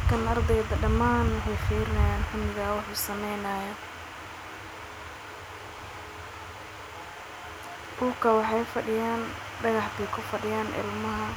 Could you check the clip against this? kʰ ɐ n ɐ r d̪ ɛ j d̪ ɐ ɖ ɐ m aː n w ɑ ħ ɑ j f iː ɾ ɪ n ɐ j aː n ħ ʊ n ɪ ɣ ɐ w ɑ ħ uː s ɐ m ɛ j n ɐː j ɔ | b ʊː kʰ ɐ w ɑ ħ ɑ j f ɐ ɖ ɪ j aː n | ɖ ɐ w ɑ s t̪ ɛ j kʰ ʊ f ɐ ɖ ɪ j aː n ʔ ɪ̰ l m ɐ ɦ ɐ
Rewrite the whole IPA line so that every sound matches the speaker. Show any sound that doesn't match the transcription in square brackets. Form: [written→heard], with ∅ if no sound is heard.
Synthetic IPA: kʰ ɐ n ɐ r d̪ ɛ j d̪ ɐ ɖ ɐ m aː n w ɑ ħ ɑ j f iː ɾ ɪ n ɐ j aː n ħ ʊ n ɪ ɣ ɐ w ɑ ħ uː s ɐ m ɛ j n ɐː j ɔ | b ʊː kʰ ɐ w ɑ ħ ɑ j f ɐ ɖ ɪ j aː n | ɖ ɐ [w→ɣ] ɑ [s→ħ] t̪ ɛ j kʰ ʊ f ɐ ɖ ɪ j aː n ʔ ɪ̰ l m ɐ ɦ ɐ